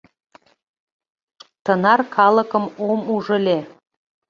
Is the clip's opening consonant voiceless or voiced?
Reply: voiceless